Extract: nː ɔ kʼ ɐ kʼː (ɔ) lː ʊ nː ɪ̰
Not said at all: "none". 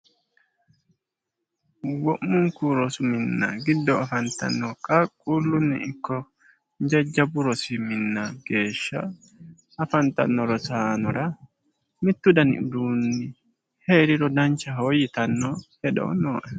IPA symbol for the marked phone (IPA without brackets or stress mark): u